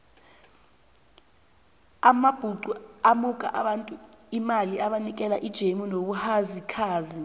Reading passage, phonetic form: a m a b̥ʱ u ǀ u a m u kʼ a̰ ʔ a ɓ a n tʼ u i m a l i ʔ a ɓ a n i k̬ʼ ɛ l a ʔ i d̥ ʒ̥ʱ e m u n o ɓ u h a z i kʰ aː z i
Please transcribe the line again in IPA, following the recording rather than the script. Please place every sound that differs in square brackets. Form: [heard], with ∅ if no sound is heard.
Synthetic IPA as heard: a m a b̥ʱ u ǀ u a m u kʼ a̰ ʔ a ɓ a n tʼ u i m a l i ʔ a ɓ a n i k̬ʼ ɛ l a ʔ i d̥ ʒ̥ʱ e m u n o ɓ u h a z i kʰ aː z i